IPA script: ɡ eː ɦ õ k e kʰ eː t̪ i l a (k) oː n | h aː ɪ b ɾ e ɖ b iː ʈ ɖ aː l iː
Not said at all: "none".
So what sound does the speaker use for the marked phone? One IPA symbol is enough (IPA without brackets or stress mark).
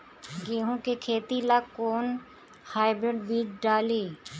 k